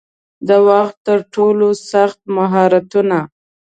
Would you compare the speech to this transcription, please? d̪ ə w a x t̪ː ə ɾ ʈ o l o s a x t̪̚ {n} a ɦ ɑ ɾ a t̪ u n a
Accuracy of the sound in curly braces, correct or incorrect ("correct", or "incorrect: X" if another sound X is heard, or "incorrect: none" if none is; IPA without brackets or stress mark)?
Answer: incorrect: m